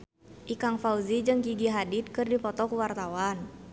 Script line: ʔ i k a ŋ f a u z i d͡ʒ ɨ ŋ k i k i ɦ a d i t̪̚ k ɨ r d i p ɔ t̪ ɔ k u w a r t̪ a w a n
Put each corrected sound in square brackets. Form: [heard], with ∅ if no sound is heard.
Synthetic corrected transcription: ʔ i k a ŋ f a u z i d͡ʒ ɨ ŋ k i [ɡ] i ɦ a d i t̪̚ k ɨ r d i p ɔ t̪ ɔ k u w a r t̪ a w a n

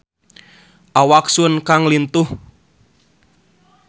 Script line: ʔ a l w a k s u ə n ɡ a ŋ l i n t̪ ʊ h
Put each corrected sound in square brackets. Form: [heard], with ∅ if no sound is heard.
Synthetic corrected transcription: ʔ a [∅] w a k s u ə n [k] a ŋ l i n t̪ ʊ h

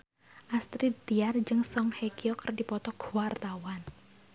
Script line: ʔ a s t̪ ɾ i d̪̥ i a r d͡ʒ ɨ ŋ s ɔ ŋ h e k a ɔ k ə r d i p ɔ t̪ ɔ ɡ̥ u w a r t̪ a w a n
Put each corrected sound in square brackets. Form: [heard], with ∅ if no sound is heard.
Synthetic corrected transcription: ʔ a s t̪ ɾ i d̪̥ i a r d͡ʒ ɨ ŋ s ɔ ŋ h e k [i] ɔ k ə r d i p ɔ t̪ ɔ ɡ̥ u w a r t̪ a w a n

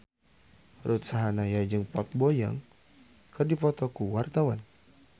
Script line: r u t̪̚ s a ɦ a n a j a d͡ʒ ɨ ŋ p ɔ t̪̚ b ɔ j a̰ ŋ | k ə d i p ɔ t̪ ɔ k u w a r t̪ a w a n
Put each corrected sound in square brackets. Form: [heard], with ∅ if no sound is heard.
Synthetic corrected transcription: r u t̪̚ s a ɦ a n a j a d͡ʒ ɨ ŋ p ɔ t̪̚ b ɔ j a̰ ŋ | k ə d i p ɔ t̪ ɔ k u w a r t̪ a w a n

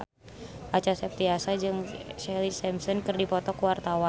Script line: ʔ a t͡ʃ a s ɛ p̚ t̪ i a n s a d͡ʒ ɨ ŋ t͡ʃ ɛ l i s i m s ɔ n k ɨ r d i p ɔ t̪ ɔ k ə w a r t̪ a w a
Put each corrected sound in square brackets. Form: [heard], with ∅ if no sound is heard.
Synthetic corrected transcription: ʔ a t͡ʃ a s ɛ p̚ t̪ i a [∅] s a d͡ʒ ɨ ŋ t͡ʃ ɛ l i s [ɛ] m s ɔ n k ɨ r d i p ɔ t̪ ɔ k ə w a r t̪ a w a

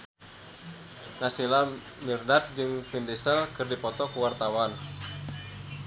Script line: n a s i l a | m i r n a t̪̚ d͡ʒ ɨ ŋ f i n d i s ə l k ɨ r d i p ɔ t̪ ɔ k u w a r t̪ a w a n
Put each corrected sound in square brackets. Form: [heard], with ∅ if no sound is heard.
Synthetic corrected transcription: n a s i l a | m i r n a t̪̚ d͡ʒ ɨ ŋ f i n d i s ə l k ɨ r d i p ɔ t̪ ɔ k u w a r t̪ a w a n

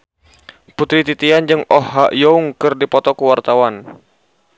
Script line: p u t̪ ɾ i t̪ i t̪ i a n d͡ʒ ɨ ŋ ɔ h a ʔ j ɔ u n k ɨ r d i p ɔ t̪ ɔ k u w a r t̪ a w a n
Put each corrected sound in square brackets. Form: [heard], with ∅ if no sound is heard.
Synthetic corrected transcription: p u t̪ ɾ i t̪ i t̪ i a n d͡ʒ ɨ ŋ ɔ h a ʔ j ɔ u [ŋ] k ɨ r d i p ɔ t̪ ɔ k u w a r t̪ a w a n

